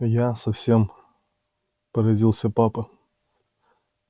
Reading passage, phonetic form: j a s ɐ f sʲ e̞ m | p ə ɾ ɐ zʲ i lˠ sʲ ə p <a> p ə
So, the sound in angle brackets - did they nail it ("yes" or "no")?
yes